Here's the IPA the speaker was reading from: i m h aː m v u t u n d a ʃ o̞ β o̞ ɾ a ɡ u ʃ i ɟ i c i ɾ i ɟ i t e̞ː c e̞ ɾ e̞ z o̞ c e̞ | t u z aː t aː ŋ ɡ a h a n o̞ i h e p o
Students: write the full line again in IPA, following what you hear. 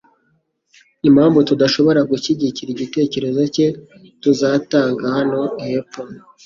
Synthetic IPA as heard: i m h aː m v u t u d a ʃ o̞ β o̞ ɾ a ɡ u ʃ i ɟ i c i ɾ i ɟ i t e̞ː c e̞ ɾ e̞ z o̞ c e̞ | t u z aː t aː ŋ ɡ a h a n o̞ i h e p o